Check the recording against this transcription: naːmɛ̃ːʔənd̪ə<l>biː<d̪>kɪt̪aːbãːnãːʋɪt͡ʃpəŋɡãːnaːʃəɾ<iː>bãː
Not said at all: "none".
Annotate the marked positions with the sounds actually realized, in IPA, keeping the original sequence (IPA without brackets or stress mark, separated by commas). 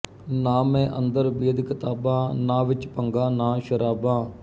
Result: ɾ, d̪, aː